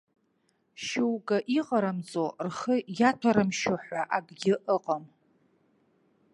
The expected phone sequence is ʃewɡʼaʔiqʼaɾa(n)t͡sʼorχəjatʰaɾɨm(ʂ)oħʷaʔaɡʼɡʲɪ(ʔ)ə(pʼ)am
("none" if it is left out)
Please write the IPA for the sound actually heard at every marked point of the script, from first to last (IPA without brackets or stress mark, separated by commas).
m, ʃ, ʔ, qʼ